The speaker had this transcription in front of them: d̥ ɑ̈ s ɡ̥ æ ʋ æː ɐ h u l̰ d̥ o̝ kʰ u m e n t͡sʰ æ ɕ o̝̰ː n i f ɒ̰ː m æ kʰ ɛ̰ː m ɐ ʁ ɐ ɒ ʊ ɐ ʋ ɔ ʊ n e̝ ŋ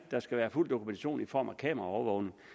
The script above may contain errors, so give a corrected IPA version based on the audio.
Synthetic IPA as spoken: d̥ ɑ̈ s ɡ̥ æ ʋ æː ɐ f u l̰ d̥ o̝ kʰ u m e n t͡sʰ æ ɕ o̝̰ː n i f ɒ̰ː m æ kʰ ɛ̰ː m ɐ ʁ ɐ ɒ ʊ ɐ ʋ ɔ ʊ n e̝ ŋ